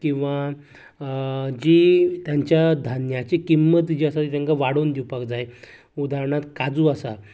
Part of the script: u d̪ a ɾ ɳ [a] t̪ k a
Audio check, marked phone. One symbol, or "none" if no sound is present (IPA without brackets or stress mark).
a